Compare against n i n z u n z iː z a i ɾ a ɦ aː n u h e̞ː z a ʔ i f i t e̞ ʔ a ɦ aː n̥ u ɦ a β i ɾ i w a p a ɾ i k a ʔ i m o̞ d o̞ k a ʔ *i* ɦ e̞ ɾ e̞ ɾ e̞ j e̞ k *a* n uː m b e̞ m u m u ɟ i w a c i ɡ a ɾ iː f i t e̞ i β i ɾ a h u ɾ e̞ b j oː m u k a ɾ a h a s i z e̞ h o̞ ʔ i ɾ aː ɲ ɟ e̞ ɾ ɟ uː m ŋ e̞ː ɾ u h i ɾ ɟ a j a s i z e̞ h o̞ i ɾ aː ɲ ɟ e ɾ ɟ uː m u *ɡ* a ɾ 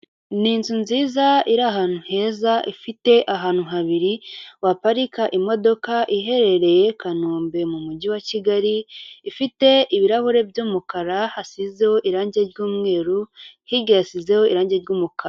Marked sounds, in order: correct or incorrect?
correct, correct, incorrect

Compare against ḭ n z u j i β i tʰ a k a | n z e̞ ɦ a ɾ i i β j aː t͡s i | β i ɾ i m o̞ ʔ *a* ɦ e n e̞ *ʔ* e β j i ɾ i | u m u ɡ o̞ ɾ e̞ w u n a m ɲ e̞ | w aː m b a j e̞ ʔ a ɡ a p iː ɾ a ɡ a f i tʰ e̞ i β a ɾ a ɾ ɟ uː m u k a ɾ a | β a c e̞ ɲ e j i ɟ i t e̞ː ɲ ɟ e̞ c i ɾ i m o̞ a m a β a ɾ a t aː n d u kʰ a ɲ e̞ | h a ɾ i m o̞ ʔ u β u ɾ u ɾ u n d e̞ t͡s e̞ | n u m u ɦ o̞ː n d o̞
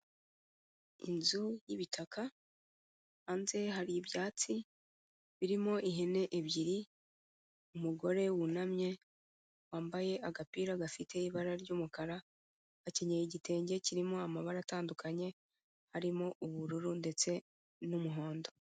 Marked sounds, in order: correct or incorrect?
incorrect, correct

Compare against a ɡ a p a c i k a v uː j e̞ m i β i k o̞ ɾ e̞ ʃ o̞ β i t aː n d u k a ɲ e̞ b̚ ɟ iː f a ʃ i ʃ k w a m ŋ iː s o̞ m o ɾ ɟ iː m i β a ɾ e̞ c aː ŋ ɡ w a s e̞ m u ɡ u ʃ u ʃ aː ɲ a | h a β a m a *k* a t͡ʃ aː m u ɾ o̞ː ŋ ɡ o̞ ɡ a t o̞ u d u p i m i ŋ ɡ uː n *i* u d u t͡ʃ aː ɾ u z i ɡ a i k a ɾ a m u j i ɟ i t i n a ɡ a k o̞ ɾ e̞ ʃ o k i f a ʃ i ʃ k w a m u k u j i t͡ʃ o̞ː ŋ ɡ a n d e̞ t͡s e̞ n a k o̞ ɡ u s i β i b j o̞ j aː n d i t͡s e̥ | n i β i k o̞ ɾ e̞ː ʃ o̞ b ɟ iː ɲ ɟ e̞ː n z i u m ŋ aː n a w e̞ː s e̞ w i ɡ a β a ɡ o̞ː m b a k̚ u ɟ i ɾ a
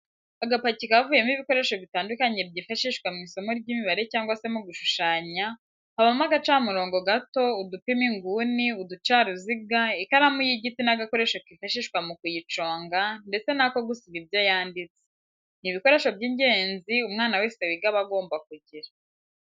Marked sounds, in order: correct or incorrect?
incorrect, correct

